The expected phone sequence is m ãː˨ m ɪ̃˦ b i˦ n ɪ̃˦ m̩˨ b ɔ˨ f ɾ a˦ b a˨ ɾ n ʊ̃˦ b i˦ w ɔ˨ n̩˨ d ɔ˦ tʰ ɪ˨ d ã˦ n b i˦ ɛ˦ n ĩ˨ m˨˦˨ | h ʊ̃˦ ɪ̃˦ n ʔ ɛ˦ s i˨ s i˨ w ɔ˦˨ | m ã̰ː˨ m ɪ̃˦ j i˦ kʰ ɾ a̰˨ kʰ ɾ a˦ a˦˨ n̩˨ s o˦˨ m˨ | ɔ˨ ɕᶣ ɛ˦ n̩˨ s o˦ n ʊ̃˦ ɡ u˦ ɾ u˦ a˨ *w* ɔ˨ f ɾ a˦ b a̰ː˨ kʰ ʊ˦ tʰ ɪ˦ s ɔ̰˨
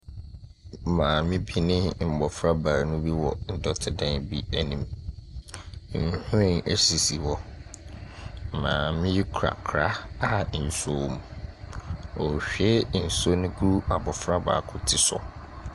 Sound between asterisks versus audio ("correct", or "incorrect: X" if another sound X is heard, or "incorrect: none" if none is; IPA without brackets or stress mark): incorrect: b